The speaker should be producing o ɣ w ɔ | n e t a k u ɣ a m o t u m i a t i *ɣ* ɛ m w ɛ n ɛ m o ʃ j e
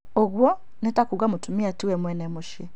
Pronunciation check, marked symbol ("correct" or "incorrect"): incorrect